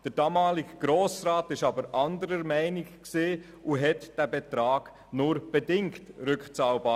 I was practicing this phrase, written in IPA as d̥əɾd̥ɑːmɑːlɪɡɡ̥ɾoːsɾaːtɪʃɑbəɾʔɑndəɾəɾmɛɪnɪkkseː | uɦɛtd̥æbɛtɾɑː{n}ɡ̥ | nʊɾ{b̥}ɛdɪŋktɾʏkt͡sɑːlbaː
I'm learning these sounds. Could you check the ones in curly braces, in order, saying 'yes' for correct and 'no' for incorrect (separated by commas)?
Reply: no, yes